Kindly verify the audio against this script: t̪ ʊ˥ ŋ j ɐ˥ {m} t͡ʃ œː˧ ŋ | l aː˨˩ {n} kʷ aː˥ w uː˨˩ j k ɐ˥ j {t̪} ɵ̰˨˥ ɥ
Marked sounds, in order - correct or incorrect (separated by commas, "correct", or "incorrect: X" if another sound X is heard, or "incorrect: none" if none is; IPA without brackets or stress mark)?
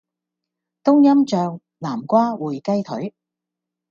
correct, incorrect: m, incorrect: t̪ʰ